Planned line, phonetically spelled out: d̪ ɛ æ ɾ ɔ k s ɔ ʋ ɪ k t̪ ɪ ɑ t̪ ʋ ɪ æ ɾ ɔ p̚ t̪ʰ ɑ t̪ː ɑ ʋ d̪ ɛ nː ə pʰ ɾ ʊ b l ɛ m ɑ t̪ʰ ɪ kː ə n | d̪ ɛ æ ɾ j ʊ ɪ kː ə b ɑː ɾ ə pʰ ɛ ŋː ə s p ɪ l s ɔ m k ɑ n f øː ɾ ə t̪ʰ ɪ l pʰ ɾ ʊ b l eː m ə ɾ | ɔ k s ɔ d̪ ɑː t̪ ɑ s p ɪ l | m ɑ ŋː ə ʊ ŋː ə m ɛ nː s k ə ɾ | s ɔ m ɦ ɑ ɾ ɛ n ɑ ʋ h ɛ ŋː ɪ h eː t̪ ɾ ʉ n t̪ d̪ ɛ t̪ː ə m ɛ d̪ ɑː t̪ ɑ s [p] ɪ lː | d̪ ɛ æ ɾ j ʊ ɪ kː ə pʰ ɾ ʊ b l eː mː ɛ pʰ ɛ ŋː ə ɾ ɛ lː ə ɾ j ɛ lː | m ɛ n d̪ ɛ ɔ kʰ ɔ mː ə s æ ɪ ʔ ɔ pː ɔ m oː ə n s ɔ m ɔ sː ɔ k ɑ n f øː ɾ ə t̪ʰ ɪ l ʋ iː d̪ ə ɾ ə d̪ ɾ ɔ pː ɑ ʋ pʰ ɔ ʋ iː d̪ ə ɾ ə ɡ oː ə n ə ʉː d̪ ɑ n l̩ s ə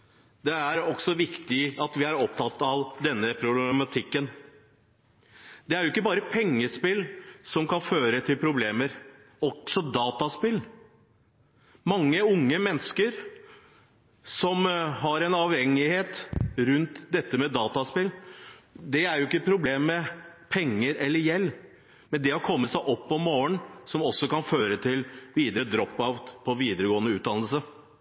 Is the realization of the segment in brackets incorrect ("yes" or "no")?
no